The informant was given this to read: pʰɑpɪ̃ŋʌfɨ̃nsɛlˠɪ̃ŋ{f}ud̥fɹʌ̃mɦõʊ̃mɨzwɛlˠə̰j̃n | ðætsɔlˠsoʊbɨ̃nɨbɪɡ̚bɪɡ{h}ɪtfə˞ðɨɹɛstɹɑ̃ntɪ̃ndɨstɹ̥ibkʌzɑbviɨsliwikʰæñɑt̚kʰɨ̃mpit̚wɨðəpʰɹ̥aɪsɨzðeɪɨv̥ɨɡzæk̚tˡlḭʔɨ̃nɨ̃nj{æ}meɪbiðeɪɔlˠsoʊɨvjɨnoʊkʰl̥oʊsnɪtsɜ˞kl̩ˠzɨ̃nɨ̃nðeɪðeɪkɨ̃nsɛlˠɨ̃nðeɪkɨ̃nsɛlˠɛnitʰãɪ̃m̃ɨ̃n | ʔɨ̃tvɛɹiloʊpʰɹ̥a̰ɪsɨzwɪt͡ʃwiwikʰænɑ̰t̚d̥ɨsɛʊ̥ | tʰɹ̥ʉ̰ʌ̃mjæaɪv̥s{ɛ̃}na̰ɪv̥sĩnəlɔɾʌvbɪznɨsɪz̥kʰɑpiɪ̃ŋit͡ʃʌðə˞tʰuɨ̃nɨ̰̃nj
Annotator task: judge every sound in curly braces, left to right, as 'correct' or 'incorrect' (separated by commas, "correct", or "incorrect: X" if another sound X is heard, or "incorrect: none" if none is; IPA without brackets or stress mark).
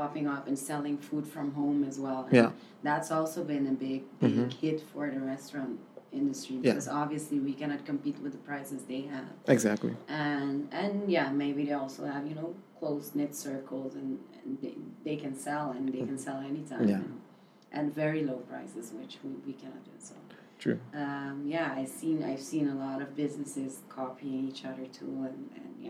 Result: correct, correct, correct, incorrect: ĩ